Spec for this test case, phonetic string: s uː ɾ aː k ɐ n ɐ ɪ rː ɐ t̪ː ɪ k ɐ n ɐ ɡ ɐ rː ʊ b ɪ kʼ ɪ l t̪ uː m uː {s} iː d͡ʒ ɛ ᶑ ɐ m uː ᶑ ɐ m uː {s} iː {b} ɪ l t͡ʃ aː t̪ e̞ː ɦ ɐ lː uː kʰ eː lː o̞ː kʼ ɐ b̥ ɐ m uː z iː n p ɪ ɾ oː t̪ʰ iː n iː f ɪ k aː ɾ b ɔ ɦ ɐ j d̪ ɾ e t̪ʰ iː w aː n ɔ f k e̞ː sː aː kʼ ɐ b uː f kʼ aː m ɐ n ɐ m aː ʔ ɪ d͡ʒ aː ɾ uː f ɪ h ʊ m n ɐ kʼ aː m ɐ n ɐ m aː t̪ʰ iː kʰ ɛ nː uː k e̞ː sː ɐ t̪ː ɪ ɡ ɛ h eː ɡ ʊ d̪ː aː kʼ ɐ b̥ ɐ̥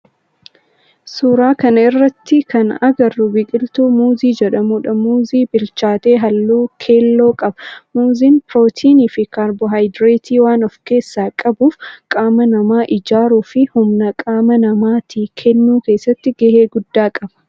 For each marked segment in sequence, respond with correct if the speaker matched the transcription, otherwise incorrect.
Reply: incorrect, incorrect, correct

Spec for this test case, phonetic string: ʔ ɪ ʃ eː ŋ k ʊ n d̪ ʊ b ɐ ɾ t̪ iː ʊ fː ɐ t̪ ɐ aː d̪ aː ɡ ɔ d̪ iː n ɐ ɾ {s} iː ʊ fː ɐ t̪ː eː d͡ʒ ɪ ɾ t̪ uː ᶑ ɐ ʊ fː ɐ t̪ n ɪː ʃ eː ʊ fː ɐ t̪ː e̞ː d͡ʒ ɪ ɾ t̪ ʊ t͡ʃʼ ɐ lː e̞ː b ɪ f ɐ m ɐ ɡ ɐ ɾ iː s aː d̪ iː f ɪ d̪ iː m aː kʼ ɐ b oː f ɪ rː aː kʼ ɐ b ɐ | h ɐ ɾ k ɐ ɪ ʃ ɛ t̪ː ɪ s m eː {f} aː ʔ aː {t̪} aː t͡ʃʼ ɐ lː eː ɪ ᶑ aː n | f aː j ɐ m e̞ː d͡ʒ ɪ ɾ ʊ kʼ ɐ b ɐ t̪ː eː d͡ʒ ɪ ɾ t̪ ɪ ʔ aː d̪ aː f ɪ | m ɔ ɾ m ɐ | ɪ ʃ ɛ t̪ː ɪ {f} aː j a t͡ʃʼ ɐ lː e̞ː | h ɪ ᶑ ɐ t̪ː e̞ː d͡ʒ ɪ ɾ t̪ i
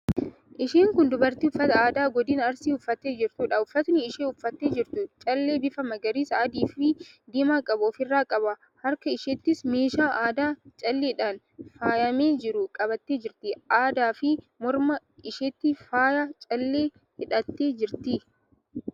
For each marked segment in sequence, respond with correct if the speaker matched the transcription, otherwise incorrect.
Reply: correct, incorrect, incorrect, correct

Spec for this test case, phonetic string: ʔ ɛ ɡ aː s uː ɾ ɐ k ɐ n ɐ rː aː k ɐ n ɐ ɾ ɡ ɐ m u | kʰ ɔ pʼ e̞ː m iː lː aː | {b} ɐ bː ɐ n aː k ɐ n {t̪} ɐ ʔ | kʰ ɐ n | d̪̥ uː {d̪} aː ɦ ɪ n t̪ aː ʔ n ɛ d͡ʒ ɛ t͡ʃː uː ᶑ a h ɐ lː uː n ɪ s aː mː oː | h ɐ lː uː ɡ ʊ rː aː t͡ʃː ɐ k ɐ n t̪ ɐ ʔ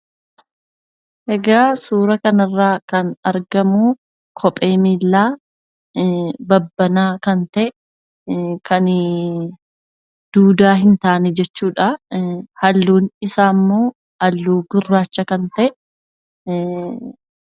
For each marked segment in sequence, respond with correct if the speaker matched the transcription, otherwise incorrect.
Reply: correct, correct, correct

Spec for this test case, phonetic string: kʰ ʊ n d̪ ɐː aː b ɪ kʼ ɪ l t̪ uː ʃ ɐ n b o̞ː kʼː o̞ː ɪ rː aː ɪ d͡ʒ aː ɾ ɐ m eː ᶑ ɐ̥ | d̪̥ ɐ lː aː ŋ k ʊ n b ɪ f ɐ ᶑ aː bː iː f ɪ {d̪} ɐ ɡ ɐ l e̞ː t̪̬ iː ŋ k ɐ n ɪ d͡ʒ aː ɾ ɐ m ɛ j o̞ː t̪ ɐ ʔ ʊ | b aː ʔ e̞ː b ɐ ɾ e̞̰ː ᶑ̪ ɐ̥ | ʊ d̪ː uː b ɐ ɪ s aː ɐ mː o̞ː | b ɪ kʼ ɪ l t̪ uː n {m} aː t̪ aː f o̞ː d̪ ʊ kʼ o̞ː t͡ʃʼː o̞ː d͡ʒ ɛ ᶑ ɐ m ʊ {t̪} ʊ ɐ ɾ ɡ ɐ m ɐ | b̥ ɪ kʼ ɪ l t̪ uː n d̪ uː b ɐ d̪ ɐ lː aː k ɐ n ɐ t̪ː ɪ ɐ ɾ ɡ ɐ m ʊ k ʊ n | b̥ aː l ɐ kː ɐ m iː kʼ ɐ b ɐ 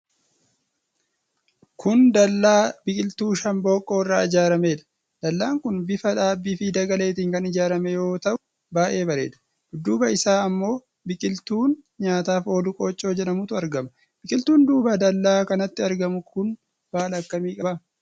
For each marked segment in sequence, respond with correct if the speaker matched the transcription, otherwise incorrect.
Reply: correct, incorrect, correct

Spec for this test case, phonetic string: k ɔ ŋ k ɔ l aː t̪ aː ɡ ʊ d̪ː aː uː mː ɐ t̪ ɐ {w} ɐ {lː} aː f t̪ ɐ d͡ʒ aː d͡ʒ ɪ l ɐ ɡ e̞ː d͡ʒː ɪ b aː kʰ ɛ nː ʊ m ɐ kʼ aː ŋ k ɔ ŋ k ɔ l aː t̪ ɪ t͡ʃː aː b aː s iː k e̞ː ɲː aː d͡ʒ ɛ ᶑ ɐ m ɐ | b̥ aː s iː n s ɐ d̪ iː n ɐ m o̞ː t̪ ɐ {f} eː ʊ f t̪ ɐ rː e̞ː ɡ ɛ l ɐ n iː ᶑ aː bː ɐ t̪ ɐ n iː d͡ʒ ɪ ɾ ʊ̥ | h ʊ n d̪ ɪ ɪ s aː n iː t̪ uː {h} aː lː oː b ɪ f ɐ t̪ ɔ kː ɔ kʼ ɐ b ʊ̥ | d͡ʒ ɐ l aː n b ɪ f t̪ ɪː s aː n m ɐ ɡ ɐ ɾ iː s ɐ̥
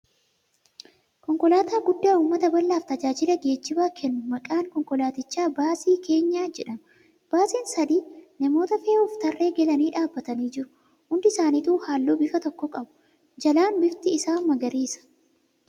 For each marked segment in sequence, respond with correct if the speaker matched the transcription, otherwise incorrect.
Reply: incorrect, correct, correct, correct

